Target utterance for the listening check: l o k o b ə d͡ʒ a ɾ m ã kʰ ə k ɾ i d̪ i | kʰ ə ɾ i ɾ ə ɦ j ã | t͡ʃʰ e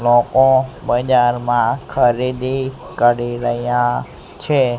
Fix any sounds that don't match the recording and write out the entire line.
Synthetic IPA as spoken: l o k o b ə d͡ʒ a ɾ m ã kʰ ə ɾ i d̪ i | k ə ɾ i ɾ ə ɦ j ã | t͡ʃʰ e